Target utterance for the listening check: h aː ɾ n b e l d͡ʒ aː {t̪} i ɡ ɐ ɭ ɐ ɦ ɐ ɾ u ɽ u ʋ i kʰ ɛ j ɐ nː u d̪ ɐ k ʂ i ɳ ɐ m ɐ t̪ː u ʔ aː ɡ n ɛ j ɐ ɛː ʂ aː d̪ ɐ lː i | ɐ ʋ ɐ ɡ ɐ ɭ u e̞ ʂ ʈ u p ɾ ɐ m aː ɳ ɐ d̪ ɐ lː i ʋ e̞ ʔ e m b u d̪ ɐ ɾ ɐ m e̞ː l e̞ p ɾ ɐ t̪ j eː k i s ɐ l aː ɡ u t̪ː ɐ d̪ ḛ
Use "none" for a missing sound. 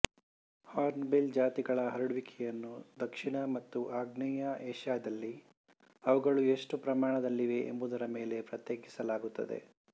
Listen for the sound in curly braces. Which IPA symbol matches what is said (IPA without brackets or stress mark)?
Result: t̪